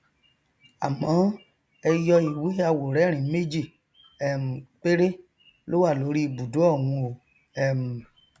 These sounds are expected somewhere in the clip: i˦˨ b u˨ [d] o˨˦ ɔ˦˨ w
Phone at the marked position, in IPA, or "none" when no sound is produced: d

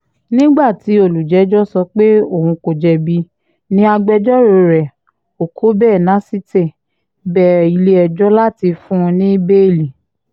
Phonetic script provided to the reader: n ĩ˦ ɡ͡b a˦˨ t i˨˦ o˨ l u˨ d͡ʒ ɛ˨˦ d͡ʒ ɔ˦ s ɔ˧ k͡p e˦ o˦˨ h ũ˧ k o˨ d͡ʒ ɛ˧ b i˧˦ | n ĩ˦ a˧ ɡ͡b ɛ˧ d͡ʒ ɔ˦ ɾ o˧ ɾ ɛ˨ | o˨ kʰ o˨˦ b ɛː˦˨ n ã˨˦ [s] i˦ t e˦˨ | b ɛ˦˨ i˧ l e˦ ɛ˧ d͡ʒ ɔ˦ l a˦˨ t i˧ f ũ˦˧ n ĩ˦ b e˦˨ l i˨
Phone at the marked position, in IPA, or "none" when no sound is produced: s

